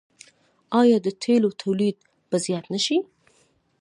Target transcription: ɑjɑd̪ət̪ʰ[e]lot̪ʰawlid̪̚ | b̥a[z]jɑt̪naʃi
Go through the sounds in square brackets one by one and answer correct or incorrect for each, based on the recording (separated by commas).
correct, correct